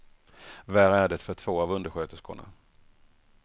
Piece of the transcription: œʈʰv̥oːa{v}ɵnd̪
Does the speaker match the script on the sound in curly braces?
yes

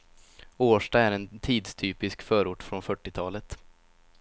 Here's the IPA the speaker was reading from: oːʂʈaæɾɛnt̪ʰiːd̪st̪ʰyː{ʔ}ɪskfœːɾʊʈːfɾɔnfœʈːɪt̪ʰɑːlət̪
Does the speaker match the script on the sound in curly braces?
no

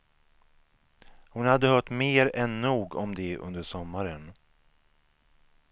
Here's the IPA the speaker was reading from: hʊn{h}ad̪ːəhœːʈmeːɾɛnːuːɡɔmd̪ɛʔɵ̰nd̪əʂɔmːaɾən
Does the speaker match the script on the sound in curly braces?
yes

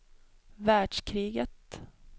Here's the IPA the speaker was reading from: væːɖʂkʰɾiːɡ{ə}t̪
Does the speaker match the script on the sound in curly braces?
yes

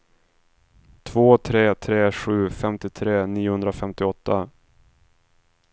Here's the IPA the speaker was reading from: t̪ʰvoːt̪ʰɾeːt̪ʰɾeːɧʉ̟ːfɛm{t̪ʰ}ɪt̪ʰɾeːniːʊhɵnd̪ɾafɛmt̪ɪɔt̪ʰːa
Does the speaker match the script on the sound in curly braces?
no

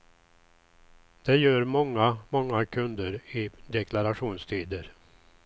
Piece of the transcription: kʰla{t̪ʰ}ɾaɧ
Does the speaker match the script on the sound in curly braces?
no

